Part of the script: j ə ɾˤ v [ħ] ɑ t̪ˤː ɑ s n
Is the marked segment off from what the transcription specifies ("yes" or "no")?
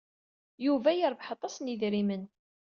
no